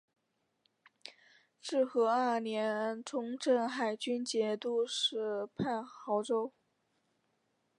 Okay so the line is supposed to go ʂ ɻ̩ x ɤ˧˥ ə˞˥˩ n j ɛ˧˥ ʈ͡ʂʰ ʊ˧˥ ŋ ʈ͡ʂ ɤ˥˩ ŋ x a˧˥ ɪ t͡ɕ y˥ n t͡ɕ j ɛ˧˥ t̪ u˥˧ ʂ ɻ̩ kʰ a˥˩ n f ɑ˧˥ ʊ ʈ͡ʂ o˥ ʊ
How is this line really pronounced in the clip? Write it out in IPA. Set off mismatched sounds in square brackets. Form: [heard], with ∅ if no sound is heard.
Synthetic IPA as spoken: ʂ ɻ̩ x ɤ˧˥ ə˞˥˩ n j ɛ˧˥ ʈ͡ʂʰ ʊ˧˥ ŋ ʈ͡ʂ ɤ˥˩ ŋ x [a˨˩] ɪ t͡ɕ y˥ n t͡ɕ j ɛ˧˥ t̪ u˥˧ ʂ ɻ̩ [pʰ] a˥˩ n [x] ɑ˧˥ ʊ ʈ͡ʂ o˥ ʊ